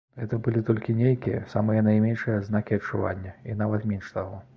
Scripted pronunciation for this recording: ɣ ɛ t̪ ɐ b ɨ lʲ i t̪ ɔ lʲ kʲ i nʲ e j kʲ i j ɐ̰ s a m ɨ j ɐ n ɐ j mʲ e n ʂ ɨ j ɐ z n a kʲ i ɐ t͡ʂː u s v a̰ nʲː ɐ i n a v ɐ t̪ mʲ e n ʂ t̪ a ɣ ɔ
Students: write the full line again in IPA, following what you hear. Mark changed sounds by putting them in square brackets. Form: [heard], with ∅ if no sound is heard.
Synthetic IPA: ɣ ɛ t̪ ɐ b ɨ lʲ i t̪ ɔ lʲ kʲ i nʲ e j kʲ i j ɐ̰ s a m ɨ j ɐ n ɐ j mʲ e n ʂ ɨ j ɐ z n a kʲ i ɐ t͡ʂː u [∅] v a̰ nʲː ɐ i n a v ɐ t̪ mʲ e n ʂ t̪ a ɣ ɔ